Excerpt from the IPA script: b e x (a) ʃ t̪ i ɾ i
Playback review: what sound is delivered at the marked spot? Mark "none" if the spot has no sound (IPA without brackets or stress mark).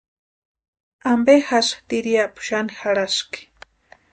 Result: a